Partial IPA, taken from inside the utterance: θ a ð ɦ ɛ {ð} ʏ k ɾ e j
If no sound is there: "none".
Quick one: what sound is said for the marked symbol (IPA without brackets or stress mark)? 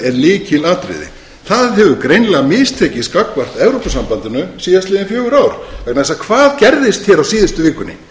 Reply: v